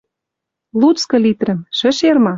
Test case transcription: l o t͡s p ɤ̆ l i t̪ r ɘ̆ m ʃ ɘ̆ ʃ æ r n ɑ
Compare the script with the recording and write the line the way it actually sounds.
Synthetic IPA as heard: l u t͡s k ɤ̆ l i t̪ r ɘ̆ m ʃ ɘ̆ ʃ e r m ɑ